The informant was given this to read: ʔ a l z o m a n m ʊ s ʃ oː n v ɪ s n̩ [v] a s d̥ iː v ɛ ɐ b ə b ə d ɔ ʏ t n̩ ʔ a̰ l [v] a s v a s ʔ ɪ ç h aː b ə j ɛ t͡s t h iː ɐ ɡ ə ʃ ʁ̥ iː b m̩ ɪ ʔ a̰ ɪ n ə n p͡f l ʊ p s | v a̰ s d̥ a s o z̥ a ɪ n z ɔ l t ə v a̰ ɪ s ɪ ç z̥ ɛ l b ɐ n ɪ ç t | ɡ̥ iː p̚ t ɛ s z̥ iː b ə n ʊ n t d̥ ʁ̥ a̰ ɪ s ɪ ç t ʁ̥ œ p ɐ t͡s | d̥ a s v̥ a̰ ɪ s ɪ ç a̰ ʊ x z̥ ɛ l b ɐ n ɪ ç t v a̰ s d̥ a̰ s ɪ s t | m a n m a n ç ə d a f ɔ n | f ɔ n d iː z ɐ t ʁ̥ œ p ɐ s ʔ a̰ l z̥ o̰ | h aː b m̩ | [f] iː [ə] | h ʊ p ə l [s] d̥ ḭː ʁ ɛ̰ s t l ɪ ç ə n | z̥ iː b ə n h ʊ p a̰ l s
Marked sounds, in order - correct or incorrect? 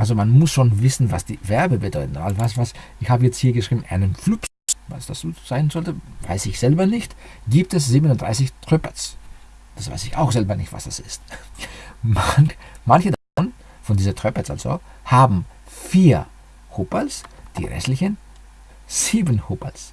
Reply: correct, correct, correct, incorrect: ɐ, correct

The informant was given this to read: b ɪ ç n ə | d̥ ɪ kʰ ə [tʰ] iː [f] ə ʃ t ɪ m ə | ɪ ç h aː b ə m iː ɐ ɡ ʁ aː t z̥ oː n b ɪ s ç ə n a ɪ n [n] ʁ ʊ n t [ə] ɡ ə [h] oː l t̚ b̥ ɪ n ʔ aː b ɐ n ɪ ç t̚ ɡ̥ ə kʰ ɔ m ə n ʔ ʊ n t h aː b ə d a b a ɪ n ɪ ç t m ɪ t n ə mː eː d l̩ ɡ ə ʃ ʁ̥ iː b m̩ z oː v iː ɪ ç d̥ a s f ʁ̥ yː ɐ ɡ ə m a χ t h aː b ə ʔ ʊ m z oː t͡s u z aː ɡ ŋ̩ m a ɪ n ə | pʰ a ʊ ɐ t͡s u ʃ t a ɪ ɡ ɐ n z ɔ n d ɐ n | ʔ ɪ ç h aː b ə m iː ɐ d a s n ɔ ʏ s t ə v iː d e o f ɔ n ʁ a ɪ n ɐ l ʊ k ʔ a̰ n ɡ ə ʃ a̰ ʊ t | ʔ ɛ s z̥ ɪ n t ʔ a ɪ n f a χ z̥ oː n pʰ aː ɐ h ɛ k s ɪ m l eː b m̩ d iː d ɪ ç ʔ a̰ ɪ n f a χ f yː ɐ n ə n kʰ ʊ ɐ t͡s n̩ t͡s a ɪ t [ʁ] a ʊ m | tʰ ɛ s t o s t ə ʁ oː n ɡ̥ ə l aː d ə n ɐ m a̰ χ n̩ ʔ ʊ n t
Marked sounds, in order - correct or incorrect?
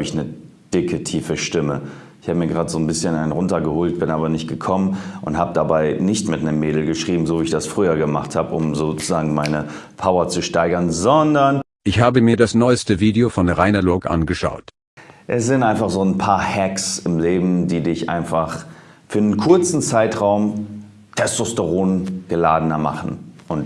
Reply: correct, correct, correct, incorrect: ɐ, correct, correct

